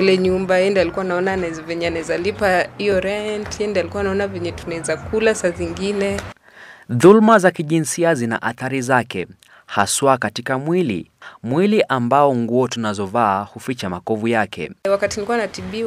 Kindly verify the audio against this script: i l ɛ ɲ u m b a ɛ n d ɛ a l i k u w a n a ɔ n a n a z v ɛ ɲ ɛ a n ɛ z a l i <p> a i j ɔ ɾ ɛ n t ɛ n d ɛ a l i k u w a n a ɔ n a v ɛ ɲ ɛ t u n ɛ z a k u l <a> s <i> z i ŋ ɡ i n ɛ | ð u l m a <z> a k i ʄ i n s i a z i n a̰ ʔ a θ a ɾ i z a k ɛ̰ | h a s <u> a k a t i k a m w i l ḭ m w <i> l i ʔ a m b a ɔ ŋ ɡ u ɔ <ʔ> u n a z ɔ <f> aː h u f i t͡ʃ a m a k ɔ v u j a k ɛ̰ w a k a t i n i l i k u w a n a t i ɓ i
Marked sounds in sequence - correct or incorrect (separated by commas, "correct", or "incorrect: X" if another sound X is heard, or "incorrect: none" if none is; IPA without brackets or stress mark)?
correct, correct, incorrect: a, correct, incorrect: w, correct, incorrect: t, incorrect: v